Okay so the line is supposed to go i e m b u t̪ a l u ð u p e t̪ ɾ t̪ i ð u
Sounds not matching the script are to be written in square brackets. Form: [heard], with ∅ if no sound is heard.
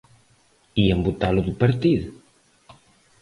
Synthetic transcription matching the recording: i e m b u t̪ a l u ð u p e [∅] ɾ t̪ i ð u